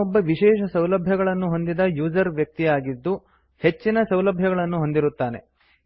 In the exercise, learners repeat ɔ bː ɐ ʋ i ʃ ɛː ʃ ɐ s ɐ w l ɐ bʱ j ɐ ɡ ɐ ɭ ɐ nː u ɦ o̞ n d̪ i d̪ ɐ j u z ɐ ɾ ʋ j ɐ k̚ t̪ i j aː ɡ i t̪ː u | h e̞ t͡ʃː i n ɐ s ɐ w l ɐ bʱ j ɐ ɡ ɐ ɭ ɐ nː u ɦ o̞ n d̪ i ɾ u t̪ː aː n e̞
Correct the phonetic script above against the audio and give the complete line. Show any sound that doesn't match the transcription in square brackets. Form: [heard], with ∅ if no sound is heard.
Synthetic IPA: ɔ bː ɐ ʋ i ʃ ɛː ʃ ɐ s ɐ w l ɐ bʱ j ɐ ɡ ɐ ɭ ɐ nː u ɦ o̞ n d̪ i d̪ ɐ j [uː] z ɐ ɾ ʋ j ɐ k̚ t̪ i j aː ɡ i [d̪ː] u | h e̞ t͡ʃː i n ɐ s ɐ w l ɐ bʱ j ɐ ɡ ɐ ɭ ɐ nː u ɦ o̞ n d̪ i ɾ u t̪ː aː n e̞